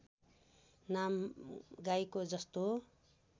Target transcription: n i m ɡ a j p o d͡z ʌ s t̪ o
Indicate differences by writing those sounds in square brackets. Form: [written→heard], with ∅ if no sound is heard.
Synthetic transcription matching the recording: n [i→a] m ɡ a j [p→k] o d͡z ʌ s t̪ o